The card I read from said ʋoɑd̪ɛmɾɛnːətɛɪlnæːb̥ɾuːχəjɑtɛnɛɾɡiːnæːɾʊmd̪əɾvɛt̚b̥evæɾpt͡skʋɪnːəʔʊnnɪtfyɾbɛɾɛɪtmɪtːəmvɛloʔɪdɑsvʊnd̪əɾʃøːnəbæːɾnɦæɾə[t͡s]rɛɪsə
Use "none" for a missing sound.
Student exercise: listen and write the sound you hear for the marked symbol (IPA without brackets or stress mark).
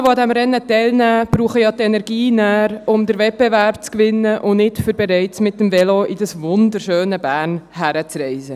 t͡s